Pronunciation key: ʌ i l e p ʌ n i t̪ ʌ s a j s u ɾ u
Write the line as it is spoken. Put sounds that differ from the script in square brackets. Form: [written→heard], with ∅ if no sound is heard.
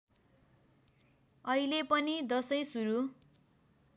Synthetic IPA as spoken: ʌ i l e p ʌ n i [t̪→d̪] ʌ s [a→ʌ] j s u ɾ u